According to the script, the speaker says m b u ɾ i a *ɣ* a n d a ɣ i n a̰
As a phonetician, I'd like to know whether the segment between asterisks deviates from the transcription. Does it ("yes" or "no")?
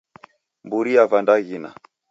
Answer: yes